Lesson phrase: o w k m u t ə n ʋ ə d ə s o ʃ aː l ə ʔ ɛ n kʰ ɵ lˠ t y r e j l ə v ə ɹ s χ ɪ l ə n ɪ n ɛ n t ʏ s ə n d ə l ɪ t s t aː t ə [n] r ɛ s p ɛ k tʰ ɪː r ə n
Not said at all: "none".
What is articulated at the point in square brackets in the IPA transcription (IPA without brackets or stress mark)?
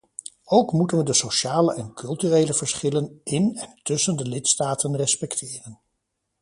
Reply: n